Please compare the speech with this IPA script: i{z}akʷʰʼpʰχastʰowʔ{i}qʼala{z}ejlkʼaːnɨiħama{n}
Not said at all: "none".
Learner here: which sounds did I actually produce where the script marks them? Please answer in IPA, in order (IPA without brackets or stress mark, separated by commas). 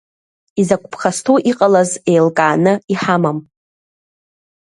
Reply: z, i, z, m